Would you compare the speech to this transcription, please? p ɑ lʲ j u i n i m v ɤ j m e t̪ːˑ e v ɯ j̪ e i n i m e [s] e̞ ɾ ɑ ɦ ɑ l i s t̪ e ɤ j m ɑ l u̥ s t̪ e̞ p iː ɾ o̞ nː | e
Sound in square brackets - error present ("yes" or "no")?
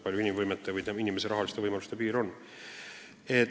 no